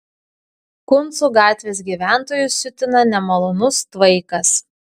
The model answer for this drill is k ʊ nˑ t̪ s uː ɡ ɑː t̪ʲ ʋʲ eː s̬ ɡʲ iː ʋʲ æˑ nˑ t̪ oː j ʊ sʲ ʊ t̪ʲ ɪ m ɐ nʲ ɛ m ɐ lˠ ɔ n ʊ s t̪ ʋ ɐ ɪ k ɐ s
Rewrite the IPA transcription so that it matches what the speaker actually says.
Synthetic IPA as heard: k ʊ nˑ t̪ s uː ɡ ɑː t̪ʲ ʋʲ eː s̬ ɡʲ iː ʋʲ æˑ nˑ t̪ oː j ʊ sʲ ʊ t̪ʲ ɪ n ɐ nʲ ɛ m ɐ lˠ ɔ n ʊ s t̪ ʋ ɐ ɪ k ɐ s